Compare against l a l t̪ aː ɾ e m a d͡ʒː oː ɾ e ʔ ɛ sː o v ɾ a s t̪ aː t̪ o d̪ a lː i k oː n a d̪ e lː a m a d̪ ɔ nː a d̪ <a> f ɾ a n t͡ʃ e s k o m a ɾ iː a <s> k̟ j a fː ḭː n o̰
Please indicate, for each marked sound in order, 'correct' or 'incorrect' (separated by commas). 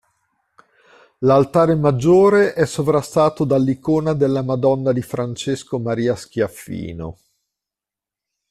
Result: incorrect, correct